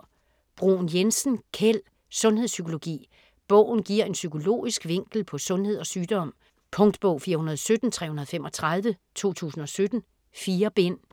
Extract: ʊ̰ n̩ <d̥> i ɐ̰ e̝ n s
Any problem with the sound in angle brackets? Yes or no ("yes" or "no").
yes